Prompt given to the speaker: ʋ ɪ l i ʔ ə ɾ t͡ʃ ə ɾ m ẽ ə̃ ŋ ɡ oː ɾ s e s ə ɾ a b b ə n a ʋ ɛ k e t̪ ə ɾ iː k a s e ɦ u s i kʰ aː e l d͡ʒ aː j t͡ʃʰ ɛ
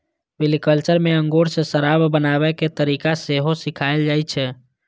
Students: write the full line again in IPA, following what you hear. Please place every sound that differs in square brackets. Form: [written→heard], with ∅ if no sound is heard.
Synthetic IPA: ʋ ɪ l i [ʔ→k] ə [ɾ→l] t͡ʃ ə ɾ m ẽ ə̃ ŋ ɡ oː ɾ s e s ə ɾ a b b ə n a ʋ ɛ k e t̪ ə ɾ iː k a s e ɦ [u→o] s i kʰ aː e l d͡ʒ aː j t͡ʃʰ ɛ